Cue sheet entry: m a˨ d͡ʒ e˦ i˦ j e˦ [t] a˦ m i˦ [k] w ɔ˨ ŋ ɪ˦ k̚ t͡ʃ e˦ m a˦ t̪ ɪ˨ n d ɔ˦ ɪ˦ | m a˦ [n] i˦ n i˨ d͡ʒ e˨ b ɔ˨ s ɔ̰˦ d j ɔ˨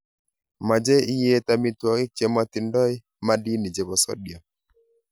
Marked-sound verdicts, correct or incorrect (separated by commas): correct, incorrect, incorrect